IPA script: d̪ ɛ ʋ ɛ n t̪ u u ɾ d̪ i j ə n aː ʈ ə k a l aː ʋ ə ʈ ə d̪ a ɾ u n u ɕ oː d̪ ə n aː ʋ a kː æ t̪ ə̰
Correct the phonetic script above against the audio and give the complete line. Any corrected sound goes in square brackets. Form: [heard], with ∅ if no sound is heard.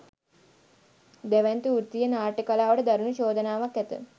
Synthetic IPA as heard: d̪ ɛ ʋ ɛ n t̪ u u ɾ [t̪] i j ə n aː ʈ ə k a l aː ʋ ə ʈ ə d̪ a ɾ u n u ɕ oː d̪ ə n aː ʋ a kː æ t̪ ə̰

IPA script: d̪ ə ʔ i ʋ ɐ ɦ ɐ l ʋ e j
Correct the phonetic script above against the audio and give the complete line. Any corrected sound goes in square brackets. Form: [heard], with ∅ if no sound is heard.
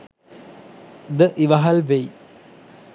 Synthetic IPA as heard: d̪ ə ʔ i ʋ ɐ ɦ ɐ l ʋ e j

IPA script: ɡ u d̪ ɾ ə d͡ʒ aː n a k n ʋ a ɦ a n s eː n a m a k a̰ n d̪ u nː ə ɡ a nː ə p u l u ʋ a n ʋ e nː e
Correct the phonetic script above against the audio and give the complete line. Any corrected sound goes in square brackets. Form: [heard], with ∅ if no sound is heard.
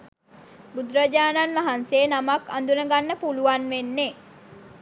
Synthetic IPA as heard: [b] u d̪ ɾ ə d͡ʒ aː n a [∅] n ʋ a ɦ a n s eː n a m a k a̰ n d̪ u [n] ə ɡ a nː ə p u l u ʋ a n ʋ e nː e

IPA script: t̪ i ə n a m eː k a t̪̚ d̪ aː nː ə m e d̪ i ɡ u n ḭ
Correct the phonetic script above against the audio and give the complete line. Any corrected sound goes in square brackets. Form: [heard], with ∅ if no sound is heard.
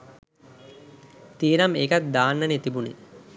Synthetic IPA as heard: t̪ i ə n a m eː k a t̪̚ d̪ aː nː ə [n] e [t̪] i [b] u n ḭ

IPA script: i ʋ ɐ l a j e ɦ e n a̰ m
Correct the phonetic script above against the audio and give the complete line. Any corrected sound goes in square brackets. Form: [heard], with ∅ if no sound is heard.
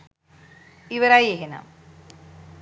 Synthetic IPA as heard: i ʋ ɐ [ɾ] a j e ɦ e n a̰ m

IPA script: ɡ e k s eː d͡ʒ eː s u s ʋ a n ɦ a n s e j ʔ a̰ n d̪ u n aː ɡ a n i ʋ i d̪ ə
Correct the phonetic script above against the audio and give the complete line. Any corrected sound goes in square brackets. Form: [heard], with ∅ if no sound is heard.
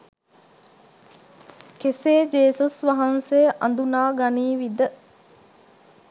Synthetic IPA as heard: [k] e [∅] s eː d͡ʒ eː s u s ʋ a [∅] ɦ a n s e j ʔ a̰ n d̪ u n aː ɡ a n [iː] ʋ i d̪ ə

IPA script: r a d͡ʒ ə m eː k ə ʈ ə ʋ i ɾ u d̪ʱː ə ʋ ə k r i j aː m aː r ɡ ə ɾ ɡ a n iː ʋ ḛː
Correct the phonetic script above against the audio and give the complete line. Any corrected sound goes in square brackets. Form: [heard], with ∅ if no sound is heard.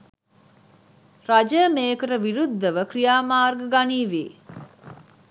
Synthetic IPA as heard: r a d͡ʒ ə m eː k ə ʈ ə ʋ i ɾ u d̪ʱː ə ʋ ə k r i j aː m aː r ɡ ə [∅] ɡ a n iː ʋ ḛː

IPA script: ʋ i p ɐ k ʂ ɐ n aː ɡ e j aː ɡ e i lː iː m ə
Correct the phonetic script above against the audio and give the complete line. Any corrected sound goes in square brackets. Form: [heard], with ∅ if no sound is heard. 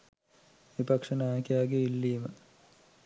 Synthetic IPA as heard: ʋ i p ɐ k ʂ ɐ n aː [k] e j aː ɡ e i lː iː m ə

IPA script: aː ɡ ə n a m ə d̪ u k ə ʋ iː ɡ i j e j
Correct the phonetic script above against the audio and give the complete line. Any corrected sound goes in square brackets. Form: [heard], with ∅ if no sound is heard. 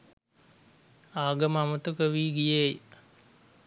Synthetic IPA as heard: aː ɡ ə [m] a m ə [t̪] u k ə ʋ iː ɡ i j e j

